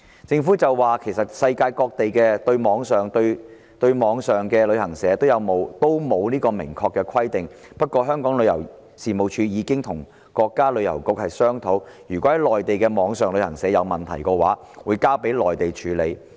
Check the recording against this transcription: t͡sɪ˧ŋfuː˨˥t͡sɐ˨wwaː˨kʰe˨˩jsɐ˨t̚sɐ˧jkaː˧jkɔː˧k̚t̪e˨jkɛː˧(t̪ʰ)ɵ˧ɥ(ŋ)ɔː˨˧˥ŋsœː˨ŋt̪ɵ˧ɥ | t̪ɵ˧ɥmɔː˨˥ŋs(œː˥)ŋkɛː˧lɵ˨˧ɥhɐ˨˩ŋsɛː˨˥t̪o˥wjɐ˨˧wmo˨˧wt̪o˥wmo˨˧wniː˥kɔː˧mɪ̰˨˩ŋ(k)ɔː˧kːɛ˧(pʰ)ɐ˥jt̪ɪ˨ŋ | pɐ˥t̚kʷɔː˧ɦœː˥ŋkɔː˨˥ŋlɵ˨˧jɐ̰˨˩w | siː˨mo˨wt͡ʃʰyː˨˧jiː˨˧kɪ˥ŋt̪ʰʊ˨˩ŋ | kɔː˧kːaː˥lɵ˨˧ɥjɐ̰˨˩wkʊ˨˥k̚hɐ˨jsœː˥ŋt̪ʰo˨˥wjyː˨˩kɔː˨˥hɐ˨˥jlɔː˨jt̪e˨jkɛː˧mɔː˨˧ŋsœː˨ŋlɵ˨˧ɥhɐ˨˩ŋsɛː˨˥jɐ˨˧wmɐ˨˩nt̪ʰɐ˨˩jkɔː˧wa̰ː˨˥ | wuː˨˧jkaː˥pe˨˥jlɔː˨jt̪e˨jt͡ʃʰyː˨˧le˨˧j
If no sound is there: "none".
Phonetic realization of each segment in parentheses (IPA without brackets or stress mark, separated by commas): t̪, m, œː˨˩, kʰ, kʰ